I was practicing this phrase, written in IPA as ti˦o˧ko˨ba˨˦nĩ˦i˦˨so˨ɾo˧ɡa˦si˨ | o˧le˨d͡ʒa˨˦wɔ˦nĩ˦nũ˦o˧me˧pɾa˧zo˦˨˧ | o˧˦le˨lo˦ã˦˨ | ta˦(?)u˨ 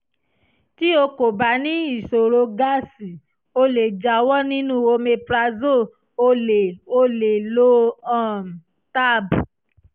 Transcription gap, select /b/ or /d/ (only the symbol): b